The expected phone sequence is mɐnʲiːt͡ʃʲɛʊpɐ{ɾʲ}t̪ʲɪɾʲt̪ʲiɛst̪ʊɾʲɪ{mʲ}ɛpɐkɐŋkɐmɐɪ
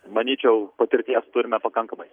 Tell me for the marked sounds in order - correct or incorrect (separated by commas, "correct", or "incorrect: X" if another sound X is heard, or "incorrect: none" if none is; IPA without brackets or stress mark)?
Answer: incorrect: none, correct